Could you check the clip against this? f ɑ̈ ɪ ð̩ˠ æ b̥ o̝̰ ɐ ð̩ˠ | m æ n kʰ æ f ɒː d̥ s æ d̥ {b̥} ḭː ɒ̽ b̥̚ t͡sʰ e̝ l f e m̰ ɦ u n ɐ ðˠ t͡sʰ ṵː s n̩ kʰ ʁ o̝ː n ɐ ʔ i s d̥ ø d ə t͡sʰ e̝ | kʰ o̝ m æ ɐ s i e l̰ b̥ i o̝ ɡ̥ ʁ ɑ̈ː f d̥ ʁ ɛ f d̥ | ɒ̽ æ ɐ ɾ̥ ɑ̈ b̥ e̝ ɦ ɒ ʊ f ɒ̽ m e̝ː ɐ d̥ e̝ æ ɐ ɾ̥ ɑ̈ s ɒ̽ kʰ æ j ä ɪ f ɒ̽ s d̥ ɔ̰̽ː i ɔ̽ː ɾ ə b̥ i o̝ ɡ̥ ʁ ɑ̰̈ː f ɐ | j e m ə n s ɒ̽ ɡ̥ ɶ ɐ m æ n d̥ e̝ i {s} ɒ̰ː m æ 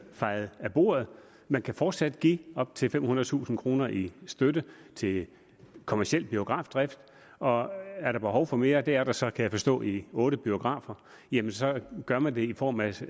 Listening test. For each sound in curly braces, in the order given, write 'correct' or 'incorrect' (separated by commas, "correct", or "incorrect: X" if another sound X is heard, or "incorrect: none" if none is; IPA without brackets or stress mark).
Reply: incorrect: ɡ̥, incorrect: f